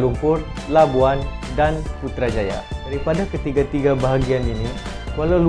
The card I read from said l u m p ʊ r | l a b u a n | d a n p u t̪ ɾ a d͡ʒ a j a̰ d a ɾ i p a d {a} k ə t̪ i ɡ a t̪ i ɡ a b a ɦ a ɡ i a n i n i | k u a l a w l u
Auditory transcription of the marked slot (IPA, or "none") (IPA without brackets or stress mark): a